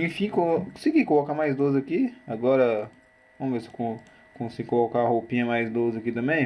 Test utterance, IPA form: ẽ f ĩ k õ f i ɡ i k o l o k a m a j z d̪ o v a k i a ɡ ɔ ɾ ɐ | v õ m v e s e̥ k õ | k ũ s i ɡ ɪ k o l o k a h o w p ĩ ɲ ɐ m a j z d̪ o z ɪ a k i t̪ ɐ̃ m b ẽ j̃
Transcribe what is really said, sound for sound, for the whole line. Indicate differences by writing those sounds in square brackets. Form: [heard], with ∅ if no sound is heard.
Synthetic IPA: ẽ f ĩ k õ [s] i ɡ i k o l o k a m a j z d̪ o [z] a k i a ɡ ɔ ɾ ɐ | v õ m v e s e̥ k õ | k [õ] s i ɡ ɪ k o l o k a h o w p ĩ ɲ ɐ m a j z d̪ o z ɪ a k i t̪ ɐ̃ m b ẽ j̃